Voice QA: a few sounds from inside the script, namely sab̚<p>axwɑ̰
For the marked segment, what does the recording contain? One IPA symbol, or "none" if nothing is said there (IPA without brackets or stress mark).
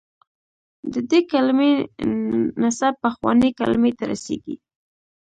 p